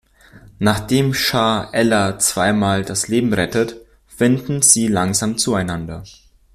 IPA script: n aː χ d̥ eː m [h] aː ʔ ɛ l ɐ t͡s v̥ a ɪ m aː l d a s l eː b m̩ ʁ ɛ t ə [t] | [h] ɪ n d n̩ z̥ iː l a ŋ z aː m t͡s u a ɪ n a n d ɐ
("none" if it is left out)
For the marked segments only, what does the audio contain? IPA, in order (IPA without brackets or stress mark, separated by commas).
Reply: ʃ, t, f